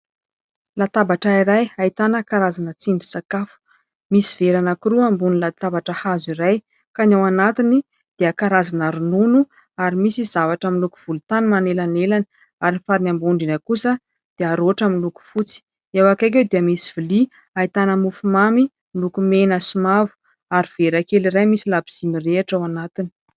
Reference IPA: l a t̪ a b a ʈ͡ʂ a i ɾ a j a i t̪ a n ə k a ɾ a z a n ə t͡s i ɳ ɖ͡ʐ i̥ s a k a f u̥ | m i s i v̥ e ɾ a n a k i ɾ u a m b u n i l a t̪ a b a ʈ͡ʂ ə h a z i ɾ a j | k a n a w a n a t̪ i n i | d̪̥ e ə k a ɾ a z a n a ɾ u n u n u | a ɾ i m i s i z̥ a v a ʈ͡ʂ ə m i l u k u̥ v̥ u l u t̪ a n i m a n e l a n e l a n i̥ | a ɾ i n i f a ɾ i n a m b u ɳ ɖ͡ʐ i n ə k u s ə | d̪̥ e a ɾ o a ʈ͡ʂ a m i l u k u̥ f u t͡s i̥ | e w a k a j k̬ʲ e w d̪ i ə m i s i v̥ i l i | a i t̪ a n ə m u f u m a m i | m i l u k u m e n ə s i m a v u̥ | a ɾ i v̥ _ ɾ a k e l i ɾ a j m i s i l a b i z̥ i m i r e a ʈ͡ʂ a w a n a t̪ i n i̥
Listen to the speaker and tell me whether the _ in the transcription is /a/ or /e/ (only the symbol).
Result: e